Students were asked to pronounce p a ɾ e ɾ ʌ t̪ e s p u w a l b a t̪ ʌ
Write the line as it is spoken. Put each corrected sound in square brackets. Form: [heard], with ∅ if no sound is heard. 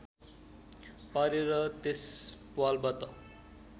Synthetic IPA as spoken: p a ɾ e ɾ ʌ t̪ e s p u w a l b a t̪ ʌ